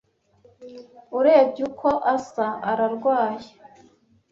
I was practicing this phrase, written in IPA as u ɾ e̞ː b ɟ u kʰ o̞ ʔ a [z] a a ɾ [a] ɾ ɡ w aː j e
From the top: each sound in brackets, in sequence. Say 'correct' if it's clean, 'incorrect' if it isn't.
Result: incorrect: s, correct

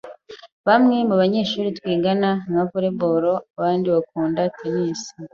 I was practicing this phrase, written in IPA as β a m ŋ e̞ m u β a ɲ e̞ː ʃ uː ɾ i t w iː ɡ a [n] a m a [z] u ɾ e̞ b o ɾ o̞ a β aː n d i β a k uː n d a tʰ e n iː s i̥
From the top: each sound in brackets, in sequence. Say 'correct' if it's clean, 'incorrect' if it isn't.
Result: correct, incorrect: v

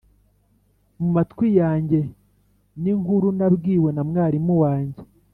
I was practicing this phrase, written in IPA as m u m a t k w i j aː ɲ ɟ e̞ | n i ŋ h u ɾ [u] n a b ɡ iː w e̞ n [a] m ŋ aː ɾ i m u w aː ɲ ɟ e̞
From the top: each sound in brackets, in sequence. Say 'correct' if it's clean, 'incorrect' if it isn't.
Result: correct, correct

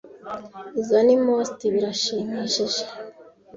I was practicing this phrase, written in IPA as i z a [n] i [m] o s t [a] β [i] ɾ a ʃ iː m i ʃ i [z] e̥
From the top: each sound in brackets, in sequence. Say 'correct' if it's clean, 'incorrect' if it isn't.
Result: correct, correct, incorrect: i, correct, incorrect: ʒ

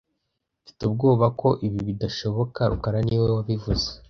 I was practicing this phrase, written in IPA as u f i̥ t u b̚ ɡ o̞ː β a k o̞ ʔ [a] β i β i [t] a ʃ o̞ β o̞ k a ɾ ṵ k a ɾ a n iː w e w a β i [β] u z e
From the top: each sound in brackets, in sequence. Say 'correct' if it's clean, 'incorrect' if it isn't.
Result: incorrect: i, incorrect: d, incorrect: v

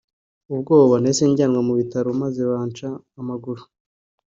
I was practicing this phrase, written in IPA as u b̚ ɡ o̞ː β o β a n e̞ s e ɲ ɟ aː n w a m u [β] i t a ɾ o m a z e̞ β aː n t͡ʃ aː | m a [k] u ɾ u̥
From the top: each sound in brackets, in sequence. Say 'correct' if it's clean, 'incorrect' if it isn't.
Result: correct, incorrect: ɡ

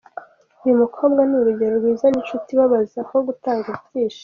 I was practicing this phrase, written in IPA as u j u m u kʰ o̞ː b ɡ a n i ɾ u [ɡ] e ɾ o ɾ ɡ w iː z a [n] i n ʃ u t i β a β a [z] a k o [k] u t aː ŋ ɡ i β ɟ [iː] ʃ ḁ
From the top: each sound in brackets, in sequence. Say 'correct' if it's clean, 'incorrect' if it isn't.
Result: incorrect: ɟ, correct, correct, incorrect: ɡ, correct

